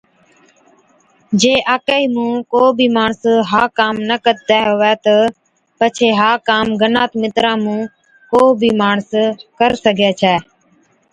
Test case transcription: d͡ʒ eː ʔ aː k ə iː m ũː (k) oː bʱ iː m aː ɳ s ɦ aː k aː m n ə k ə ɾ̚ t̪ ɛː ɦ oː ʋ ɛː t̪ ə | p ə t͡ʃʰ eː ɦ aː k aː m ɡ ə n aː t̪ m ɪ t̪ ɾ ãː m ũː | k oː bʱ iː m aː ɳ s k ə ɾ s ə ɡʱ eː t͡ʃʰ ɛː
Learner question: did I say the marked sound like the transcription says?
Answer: yes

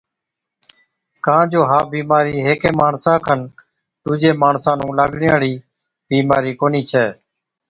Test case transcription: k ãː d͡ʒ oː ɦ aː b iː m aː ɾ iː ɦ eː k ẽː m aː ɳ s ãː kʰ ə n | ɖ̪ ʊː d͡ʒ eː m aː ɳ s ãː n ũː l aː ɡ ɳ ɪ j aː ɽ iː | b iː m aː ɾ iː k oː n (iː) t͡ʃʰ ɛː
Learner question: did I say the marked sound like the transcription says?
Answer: yes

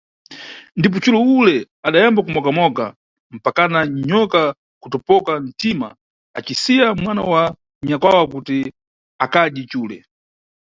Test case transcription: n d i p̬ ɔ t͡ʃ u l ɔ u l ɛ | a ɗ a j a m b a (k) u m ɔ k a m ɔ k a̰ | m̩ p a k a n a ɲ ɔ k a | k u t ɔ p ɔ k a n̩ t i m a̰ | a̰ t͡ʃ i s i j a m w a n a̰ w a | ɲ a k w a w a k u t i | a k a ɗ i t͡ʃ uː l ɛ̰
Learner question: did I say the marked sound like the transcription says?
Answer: yes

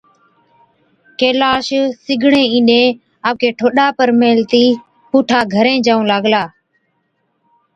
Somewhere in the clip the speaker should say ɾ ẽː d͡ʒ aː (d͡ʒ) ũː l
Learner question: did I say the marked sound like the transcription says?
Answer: no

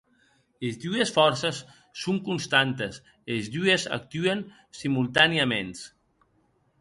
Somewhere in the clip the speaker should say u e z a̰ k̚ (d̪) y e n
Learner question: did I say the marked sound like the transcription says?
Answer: no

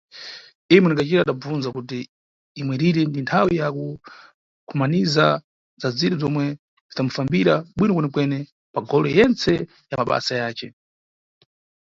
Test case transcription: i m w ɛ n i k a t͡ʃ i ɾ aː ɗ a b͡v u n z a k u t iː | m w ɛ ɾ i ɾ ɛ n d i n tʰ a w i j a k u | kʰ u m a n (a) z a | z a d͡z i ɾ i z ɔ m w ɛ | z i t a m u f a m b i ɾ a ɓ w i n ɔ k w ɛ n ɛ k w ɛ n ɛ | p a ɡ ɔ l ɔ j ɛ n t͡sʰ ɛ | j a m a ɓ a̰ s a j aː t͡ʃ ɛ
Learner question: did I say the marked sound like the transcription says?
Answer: no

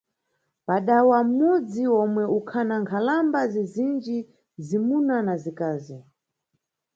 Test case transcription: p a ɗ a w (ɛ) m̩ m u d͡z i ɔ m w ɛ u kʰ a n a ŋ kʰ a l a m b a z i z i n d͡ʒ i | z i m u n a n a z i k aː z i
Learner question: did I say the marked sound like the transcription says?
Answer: no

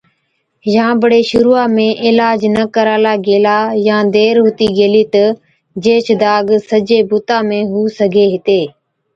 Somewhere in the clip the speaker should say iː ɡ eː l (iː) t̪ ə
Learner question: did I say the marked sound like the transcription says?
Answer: yes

